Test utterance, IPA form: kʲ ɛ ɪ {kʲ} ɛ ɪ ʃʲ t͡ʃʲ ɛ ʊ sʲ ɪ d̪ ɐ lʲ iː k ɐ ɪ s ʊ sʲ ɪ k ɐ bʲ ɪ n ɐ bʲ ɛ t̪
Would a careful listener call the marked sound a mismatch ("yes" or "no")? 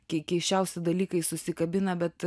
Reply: no